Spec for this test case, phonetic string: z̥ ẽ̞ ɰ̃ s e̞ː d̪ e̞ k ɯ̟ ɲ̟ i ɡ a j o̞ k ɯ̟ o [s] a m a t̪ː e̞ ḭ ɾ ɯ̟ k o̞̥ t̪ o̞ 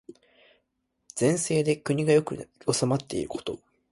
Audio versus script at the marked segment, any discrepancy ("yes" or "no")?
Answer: no